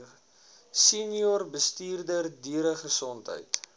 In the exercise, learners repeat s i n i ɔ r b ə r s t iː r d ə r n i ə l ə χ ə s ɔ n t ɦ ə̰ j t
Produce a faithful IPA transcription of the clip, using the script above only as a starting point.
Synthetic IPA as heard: s i n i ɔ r b ə s t iː r d ə r d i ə ɾ ə χ ə s ɔ n t ɦ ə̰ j t